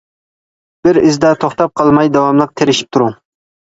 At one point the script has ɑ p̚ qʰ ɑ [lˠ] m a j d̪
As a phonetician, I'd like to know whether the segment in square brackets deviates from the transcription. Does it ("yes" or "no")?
no